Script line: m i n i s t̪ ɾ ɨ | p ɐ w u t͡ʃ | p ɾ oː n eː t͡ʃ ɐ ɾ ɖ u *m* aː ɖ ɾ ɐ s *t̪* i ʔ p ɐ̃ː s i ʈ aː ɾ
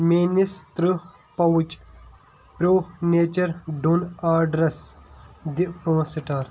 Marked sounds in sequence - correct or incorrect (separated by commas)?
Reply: incorrect, incorrect